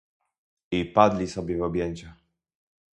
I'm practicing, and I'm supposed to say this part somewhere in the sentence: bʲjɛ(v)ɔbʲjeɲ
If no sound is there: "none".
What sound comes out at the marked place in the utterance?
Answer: v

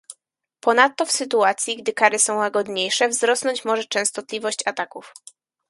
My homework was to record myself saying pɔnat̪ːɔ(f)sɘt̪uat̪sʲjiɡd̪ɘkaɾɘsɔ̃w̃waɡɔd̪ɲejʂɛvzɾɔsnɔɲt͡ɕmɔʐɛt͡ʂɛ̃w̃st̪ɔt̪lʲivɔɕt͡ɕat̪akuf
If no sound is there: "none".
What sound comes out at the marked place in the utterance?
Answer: f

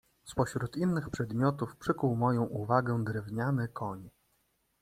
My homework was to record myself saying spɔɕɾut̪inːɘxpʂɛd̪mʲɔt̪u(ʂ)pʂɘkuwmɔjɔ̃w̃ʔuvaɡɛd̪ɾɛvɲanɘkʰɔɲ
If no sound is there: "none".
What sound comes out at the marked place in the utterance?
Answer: f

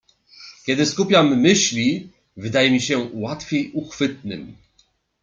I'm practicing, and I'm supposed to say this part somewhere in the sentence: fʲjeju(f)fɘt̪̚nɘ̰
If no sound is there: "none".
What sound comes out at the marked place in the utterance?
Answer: x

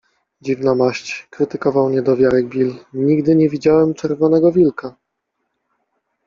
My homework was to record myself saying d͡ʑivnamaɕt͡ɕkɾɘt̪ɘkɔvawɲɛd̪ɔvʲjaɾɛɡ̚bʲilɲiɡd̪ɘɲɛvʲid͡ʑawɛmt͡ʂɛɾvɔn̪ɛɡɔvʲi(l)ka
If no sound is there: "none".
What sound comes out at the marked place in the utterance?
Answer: l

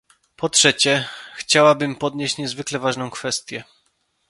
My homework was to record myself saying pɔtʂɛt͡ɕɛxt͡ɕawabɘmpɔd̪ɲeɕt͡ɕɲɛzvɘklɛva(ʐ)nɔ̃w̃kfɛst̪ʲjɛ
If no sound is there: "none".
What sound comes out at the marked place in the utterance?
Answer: ʐ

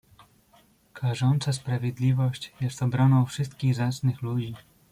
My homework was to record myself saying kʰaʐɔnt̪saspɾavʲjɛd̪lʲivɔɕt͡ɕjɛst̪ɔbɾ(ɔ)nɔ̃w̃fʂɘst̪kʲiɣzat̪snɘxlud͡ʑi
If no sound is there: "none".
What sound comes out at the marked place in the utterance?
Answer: ɔ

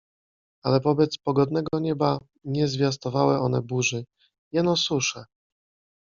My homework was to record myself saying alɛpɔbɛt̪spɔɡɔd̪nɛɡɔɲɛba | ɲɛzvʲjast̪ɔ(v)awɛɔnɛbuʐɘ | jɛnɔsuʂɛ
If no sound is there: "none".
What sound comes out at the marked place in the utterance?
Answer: v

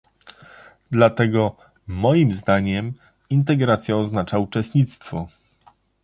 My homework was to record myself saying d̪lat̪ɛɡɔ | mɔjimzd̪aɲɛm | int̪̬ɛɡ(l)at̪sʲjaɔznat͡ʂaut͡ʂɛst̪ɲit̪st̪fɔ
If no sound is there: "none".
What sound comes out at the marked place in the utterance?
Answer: ɾ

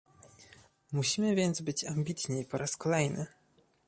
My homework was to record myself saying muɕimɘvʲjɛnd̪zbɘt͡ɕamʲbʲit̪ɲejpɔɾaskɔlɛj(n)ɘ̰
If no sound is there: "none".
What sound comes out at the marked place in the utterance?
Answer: n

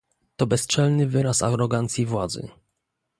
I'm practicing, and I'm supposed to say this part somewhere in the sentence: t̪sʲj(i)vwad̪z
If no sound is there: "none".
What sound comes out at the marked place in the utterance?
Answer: i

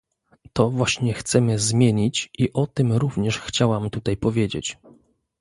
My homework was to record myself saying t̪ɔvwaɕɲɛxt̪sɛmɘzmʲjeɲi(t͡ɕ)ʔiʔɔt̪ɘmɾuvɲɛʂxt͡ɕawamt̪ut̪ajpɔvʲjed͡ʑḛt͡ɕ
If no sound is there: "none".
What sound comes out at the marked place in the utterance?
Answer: t͡ɕ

